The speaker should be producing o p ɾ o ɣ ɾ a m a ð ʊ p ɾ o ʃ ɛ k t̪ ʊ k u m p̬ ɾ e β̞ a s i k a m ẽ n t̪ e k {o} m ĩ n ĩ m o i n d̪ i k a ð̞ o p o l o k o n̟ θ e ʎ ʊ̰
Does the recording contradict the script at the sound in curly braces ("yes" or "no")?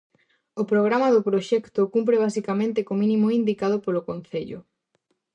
no